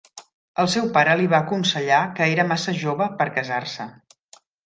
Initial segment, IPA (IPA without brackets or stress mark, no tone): ə